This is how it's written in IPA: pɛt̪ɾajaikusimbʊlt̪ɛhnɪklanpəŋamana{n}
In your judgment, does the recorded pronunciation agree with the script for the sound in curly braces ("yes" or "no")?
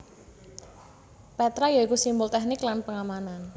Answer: yes